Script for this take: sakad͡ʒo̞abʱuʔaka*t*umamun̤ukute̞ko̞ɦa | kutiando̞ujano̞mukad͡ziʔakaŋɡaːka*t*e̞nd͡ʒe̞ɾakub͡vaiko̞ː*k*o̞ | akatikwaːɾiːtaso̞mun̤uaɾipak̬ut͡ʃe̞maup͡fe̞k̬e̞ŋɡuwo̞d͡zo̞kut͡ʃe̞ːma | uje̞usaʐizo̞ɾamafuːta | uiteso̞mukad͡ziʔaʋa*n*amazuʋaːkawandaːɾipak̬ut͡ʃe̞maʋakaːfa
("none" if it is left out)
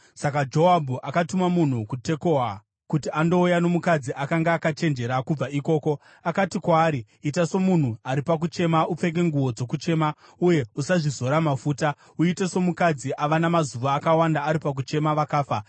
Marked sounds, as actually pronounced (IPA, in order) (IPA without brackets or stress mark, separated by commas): t, t͡ʃ, k, n